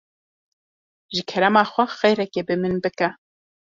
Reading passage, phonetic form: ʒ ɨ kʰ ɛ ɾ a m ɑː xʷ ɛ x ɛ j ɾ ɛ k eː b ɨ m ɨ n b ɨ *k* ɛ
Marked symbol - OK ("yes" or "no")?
yes